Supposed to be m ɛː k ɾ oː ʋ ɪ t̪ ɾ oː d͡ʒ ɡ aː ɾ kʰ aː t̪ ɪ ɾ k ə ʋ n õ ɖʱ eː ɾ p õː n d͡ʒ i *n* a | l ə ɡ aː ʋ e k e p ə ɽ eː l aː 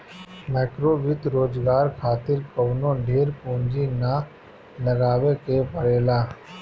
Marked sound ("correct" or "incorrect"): correct